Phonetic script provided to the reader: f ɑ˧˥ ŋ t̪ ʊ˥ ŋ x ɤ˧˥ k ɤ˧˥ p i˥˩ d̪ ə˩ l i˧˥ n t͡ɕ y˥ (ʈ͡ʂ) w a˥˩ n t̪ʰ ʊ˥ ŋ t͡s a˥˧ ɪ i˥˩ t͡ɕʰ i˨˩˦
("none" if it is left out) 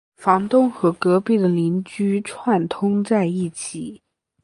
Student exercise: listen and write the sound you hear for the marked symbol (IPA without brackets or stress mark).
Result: ʈ͡ʂʰ